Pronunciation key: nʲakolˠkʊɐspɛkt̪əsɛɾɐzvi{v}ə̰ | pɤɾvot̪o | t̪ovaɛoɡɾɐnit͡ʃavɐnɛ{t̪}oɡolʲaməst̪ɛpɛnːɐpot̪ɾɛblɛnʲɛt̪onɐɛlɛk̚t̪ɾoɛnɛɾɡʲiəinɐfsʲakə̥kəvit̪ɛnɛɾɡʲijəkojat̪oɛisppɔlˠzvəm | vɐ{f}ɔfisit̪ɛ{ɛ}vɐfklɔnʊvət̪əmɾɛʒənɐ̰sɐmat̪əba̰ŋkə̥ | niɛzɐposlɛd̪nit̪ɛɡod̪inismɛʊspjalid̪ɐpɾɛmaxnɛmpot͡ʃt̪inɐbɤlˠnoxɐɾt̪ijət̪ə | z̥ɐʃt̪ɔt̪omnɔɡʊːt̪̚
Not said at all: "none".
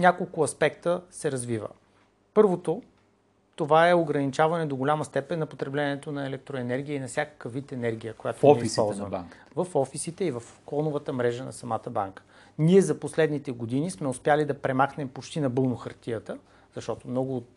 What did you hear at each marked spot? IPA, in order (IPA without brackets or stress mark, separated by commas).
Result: v, d̪, f, i